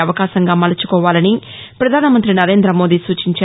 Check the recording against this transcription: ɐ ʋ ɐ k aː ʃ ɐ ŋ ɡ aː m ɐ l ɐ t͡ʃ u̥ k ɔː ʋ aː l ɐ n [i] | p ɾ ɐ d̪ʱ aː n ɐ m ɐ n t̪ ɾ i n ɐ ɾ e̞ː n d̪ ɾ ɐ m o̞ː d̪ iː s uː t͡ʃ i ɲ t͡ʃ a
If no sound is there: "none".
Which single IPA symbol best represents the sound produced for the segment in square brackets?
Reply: i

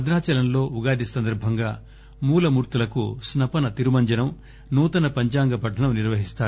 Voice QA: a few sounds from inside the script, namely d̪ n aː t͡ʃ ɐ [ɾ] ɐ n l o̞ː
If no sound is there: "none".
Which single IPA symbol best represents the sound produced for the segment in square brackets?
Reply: l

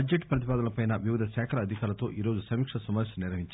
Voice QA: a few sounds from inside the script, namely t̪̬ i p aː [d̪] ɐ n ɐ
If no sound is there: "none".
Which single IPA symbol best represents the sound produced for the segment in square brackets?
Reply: d̪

